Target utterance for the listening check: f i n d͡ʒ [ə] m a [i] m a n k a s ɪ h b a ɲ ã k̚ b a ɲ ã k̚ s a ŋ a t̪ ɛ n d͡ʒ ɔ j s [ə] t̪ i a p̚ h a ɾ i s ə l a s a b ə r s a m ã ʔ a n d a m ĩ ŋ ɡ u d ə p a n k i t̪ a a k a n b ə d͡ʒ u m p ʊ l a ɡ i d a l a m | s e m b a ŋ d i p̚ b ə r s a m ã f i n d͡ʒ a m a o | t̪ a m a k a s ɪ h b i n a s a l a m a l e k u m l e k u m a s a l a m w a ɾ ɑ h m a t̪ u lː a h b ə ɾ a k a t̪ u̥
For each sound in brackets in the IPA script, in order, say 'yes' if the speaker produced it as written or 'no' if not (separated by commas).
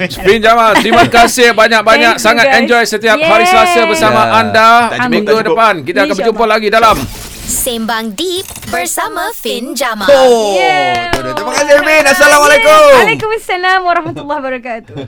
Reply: no, yes, yes